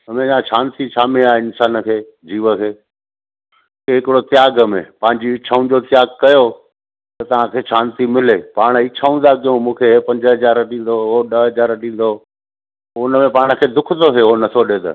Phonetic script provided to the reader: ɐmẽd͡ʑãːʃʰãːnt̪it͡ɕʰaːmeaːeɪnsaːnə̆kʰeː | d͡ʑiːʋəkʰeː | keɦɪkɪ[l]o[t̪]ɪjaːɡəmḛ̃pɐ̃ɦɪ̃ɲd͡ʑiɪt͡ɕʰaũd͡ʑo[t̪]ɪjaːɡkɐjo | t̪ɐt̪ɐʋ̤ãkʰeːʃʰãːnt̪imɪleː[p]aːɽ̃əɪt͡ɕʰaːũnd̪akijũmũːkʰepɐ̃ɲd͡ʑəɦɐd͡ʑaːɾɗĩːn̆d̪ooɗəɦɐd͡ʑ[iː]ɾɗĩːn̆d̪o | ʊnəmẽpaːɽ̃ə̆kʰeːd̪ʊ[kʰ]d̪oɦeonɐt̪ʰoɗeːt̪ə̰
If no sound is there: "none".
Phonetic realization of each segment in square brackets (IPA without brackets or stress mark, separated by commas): ɽ, t̪, t̪, p, aː, kʰ